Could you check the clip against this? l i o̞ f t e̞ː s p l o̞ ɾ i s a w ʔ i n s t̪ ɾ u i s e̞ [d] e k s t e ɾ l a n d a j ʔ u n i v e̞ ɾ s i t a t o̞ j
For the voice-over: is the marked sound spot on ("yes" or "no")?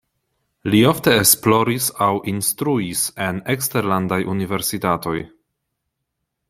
no